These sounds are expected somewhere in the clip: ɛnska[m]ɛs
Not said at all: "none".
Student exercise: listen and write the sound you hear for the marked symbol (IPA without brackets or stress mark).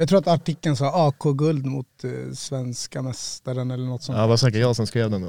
m